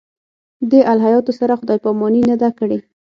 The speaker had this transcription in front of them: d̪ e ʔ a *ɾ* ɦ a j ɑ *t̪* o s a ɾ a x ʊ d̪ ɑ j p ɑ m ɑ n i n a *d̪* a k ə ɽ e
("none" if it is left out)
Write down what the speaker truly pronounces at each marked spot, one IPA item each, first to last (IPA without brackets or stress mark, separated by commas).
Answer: l, t̪, d̪